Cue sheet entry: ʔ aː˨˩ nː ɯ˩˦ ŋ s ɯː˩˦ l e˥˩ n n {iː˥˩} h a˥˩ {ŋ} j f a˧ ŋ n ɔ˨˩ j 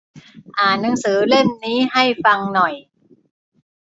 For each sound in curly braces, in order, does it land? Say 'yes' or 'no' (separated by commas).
no, no